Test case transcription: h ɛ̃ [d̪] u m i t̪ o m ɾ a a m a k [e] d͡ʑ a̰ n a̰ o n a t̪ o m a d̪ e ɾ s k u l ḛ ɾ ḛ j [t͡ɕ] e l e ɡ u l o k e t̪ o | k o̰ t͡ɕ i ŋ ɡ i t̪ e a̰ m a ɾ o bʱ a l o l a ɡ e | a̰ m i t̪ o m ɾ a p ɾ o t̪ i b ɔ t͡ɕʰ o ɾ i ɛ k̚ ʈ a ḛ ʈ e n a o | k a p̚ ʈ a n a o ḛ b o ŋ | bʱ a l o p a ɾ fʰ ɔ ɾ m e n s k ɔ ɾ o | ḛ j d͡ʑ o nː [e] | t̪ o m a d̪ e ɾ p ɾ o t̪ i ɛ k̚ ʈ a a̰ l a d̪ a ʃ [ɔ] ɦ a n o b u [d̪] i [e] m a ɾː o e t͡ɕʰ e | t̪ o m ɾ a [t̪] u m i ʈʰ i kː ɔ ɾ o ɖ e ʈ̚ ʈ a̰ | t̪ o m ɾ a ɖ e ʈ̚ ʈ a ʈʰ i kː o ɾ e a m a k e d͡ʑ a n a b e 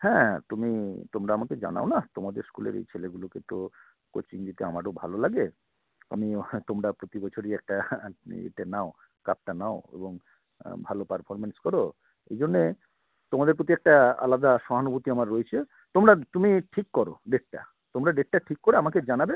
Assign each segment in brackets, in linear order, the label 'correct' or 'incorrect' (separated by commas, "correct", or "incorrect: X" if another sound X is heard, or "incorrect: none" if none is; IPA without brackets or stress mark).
incorrect: t̪, correct, incorrect: t͡ɕʰ, correct, correct, incorrect: t̪, incorrect: a, correct